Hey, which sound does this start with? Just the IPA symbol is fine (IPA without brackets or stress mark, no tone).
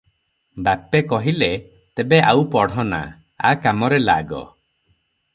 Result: b